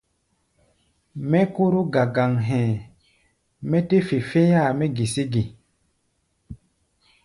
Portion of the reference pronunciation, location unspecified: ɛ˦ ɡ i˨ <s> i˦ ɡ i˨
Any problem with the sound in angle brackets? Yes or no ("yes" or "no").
no